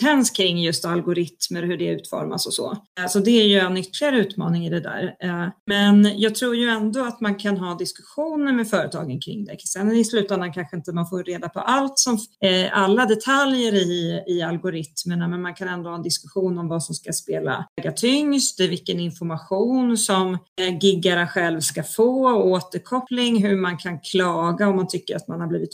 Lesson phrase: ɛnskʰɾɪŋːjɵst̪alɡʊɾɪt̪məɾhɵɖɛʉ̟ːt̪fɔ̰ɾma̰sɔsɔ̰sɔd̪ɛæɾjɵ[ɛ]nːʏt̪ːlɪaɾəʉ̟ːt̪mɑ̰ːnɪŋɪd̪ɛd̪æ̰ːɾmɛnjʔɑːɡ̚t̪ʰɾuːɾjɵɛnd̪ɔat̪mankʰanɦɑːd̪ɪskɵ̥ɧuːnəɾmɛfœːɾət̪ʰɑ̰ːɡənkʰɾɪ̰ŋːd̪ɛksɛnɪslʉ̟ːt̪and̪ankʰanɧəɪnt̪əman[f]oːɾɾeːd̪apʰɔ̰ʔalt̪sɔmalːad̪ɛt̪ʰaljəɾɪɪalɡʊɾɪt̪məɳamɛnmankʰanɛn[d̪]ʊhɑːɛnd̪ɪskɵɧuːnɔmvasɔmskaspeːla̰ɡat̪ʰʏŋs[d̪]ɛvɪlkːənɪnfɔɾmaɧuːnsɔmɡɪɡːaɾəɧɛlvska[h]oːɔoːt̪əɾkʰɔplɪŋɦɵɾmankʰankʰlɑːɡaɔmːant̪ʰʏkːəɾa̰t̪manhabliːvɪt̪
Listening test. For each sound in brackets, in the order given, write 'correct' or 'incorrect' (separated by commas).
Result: correct, correct, correct, incorrect, incorrect